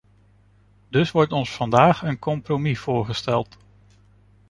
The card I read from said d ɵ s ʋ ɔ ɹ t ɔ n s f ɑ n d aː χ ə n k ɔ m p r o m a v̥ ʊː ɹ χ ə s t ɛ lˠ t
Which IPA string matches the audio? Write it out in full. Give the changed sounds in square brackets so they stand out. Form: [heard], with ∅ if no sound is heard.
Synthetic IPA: d ɵ s ʋ ɔ ɹ t ɔ n s f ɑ n d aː χ ə n k ɔ m p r o m [i] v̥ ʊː ɹ χ ə s t ɛ lˠ t